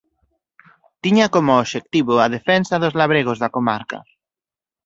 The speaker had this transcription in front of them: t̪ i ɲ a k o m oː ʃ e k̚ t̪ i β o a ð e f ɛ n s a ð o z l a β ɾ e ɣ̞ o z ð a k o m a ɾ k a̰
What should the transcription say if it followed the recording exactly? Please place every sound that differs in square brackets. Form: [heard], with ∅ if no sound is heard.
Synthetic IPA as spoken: t̪ i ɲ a k o m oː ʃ e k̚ t̪ i β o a ð e f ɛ n s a ð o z l a β ɾ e ɣ̞ o z ð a k o m a ɾ k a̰